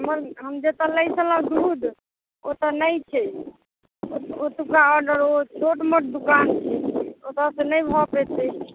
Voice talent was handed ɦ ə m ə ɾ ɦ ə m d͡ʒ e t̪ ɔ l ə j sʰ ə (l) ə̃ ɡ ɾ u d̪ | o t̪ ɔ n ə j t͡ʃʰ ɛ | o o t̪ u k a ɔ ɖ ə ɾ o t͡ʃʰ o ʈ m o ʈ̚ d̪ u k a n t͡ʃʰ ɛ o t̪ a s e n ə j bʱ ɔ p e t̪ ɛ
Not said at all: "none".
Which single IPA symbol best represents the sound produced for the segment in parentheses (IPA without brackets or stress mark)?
l